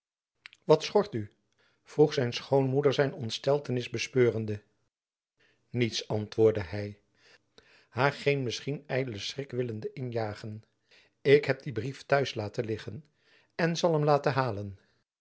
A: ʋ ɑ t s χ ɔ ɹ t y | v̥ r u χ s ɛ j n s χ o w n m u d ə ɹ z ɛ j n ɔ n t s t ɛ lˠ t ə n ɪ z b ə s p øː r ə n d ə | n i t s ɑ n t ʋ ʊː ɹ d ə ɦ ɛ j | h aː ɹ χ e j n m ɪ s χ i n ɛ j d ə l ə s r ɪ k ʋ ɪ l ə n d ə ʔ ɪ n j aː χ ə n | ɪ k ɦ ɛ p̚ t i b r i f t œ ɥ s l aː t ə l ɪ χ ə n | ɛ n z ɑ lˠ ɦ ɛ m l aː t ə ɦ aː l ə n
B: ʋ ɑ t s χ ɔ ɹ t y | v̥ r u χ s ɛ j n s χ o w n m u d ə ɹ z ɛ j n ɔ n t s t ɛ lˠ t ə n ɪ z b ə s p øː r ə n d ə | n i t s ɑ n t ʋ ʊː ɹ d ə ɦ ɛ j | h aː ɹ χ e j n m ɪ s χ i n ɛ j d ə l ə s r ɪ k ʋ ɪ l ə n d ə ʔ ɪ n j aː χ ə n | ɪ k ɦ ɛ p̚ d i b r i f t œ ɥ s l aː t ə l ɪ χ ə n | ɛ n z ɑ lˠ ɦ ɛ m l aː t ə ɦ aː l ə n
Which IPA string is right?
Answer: B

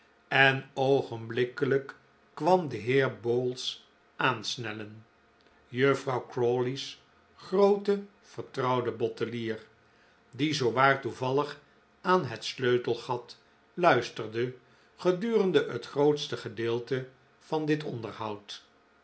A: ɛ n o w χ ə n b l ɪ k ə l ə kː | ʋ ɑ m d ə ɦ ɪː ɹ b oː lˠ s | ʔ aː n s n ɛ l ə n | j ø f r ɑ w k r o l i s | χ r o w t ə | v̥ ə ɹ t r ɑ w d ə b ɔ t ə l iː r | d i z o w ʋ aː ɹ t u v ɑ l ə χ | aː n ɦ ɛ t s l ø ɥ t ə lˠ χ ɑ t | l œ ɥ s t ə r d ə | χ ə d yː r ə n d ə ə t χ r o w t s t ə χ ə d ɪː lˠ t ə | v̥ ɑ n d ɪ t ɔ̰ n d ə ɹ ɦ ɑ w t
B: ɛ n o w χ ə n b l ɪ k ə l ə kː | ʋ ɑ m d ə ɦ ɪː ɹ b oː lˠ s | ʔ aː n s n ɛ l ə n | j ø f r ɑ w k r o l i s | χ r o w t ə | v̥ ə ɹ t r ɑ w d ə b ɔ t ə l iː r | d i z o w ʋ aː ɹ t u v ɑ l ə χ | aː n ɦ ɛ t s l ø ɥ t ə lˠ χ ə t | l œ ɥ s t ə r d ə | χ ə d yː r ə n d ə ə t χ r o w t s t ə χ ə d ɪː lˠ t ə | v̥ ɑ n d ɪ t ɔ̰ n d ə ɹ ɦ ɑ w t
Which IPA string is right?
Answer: A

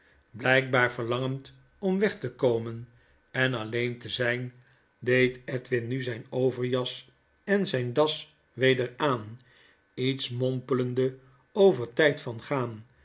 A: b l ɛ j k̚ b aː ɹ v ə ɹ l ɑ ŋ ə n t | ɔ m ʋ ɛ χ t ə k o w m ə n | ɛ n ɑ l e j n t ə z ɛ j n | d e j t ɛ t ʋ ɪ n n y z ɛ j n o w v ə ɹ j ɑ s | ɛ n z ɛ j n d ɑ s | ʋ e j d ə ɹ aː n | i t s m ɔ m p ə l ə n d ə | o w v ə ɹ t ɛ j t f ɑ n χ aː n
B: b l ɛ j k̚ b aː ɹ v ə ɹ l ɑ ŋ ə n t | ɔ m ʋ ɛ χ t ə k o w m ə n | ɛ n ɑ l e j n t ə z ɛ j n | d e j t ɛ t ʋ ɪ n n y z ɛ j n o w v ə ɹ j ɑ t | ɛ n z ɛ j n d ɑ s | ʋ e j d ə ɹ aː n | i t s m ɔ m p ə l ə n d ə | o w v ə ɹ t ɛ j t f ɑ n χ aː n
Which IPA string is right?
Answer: A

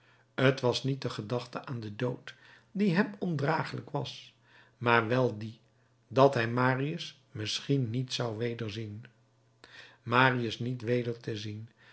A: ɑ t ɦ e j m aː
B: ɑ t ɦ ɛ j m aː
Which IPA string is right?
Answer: B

